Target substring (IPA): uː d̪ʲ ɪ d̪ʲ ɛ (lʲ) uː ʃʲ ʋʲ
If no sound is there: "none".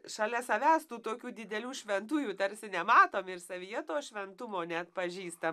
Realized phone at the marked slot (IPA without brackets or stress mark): lʲ